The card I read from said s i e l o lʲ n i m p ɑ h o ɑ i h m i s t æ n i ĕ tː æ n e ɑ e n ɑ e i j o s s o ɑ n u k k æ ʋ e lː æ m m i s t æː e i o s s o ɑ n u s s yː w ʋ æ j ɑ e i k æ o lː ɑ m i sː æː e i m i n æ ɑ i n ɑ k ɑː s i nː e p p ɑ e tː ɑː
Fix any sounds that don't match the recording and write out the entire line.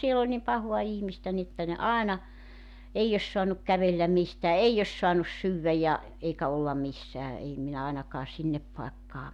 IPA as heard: s i e l o lʲ n i m p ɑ h o ɑ i h m i s t æ n i ĕ tː æ n e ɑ e n ɑ e i j o s s o ɑ n u k k æ ʋ e lː æ m m i s t æː e i o s s o ɑ n u s s yː w ʋ æ j ɑ e i k æ o lː ɑ m i sː æː e i m i n æ ɑ i n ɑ k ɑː s i nː e p p ɑ e kː ɑː